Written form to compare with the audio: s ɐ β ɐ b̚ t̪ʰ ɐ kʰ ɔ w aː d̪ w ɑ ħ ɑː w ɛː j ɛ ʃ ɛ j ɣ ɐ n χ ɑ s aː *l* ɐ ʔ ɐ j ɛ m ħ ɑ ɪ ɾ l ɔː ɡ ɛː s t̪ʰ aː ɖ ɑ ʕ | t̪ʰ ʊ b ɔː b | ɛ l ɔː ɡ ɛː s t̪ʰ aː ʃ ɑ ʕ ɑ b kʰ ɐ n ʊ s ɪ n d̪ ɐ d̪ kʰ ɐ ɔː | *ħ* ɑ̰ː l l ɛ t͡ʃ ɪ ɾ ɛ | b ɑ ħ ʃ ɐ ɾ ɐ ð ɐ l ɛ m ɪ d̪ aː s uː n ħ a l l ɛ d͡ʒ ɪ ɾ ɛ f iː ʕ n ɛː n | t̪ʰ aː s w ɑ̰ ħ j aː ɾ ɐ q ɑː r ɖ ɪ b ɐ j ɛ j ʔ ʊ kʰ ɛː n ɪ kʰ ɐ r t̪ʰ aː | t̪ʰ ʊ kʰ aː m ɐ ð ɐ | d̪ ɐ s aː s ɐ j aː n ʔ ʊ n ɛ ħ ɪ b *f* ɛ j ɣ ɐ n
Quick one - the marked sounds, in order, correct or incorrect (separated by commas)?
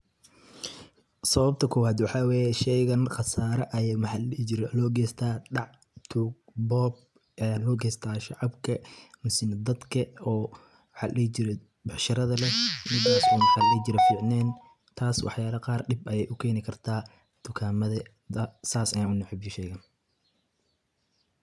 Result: incorrect, correct, incorrect